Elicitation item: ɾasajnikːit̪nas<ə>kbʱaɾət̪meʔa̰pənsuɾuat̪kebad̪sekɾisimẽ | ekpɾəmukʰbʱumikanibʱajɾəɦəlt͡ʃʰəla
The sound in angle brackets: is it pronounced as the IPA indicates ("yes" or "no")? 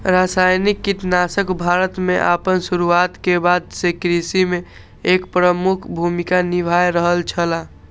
yes